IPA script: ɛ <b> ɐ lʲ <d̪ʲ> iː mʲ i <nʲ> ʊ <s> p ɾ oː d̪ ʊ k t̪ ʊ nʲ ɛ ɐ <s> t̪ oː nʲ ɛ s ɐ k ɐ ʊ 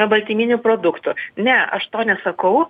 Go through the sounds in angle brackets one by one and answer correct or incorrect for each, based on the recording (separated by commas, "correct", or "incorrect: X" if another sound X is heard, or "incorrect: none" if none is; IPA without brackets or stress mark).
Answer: correct, incorrect: t̪ʲ, correct, incorrect: none, incorrect: ʃ